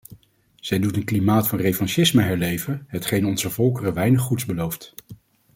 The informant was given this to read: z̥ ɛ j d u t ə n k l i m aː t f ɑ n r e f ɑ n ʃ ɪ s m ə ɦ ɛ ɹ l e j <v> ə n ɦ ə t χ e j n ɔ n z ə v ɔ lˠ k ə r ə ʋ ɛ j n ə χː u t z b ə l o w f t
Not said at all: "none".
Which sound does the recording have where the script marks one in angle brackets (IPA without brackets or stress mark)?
v